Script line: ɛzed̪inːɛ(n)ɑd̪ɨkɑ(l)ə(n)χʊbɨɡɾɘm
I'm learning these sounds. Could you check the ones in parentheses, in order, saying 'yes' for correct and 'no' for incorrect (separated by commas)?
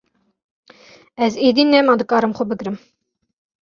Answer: no, no, no